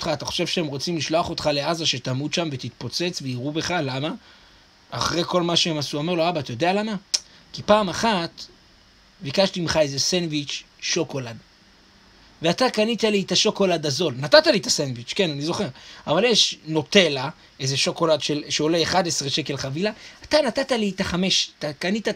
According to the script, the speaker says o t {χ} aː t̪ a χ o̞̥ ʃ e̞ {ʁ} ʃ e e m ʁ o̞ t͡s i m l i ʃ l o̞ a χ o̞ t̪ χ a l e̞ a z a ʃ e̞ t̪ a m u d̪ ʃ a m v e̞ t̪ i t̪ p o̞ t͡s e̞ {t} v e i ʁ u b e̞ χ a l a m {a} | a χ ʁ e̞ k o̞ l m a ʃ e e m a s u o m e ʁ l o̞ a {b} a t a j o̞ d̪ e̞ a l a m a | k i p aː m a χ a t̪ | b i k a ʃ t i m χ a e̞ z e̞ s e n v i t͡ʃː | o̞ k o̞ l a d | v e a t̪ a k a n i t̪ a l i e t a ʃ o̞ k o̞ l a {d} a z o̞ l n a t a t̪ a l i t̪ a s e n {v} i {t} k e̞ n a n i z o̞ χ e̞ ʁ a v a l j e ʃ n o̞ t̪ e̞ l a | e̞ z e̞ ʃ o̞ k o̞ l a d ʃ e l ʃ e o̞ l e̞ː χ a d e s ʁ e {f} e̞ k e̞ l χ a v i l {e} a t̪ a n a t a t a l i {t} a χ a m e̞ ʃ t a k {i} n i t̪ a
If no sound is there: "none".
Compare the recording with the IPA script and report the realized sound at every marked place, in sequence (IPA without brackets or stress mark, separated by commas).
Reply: χ, v, t͡s, a, b, d, v, t͡ʃ, ʃ, a, t, a